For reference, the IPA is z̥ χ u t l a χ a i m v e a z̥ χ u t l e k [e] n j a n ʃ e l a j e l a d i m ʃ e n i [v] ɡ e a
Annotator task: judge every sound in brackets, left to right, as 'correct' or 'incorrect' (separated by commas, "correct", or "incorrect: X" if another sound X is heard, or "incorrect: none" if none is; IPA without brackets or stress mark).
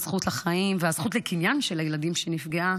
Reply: incorrect: i, incorrect: f